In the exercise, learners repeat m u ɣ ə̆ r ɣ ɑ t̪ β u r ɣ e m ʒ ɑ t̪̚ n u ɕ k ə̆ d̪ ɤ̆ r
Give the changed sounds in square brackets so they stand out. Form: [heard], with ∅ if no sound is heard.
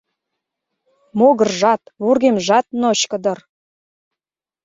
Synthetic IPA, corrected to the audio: m [o] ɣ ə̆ r [ʒ] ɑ t̪ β u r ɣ e m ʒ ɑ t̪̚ n [o] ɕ k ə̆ d̪ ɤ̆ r

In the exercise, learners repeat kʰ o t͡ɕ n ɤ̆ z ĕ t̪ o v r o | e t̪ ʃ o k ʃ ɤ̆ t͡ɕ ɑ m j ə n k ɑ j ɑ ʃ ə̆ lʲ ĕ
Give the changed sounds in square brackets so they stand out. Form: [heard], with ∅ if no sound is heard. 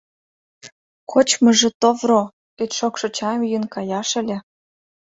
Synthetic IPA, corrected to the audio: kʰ o t͡ɕ [m] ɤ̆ [ʒ] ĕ t̪ o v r o | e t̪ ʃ o k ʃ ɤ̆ t͡ɕ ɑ m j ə n k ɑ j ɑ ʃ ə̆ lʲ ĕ

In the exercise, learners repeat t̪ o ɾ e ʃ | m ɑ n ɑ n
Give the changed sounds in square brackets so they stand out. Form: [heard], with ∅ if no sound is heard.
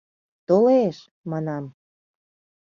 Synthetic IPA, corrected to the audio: t̪ o [l] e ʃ | m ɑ n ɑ [m]

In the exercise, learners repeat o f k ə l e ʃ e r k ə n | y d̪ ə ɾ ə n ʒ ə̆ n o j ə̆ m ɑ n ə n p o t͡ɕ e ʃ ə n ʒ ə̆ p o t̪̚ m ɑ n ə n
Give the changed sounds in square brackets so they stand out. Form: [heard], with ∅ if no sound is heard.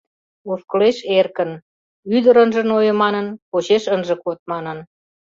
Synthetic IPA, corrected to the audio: o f k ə l e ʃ e r k ə n | y d̪ ə ɾ ə n ʒ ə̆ n o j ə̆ m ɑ n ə n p o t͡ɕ e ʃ ə n ʒ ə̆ [k] o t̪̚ m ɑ n ə n

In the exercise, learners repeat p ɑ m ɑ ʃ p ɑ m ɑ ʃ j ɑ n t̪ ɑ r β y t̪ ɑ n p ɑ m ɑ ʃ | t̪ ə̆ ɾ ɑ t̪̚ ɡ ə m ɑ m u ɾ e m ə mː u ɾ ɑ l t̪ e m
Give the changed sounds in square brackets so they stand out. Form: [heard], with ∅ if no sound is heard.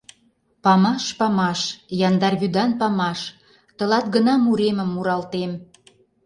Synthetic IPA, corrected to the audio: p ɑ m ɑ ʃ p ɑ m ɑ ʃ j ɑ n [d̪] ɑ r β y [d̪] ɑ n p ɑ m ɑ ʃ | t̪ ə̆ [l] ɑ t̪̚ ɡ ə [n] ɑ m u ɾ e m ə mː u ɾ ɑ l t̪ e m

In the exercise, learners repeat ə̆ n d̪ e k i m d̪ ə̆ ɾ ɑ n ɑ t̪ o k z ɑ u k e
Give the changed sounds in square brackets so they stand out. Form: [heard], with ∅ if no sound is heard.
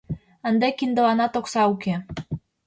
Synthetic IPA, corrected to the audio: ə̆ n d̪ e k i [n] d̪ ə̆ [l] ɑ n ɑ t̪ o k [s] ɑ u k e

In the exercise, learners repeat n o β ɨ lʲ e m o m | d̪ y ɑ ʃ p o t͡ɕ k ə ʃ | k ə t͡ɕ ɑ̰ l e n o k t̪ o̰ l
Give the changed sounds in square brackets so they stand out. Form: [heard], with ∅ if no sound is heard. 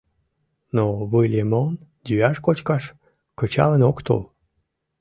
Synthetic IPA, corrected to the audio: n o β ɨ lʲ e m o [n] | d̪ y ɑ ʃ [k] o t͡ɕ k [ɑ] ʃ | k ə t͡ɕ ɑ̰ l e n o k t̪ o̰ l

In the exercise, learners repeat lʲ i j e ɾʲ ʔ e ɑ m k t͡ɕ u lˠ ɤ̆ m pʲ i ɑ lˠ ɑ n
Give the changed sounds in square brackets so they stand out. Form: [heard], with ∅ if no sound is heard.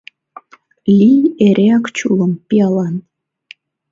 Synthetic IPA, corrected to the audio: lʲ i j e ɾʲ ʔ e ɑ [∅] k t͡ɕ u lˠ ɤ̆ m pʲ i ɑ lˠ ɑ n

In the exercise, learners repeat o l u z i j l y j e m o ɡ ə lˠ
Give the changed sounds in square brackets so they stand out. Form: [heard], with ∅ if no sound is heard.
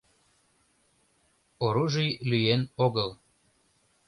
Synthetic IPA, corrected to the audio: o [ɾ] u [ʒ] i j l y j e [n] o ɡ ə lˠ

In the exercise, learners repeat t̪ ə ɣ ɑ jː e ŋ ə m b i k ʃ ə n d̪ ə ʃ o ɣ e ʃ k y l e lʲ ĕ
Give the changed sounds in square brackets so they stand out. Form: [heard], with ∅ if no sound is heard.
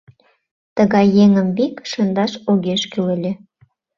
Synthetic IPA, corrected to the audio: t̪ ə ɣ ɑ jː e ŋ ə m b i k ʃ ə n d̪ [ɑ] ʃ o ɣ e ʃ k y l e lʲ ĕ

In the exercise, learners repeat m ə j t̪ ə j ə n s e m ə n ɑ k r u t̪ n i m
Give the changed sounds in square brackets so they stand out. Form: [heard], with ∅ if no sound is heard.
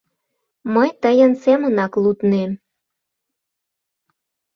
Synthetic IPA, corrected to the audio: m ə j t̪ ə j ə n s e m ə n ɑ k [l] u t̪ n [e] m

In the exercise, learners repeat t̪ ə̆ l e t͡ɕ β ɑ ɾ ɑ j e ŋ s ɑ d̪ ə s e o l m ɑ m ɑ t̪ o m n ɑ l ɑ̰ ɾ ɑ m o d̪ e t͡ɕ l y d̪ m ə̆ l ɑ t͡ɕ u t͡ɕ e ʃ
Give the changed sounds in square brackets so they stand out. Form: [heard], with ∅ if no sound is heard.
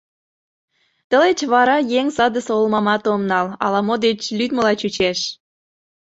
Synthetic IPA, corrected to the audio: t̪ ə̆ l e t͡ɕ β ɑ ɾ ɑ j e ŋ s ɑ d̪ ə s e o l m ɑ m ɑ t̪ o m n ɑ l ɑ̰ [l] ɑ m o d̪ e t͡ɕ l y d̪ m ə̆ l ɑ t͡ɕ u t͡ɕ e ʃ

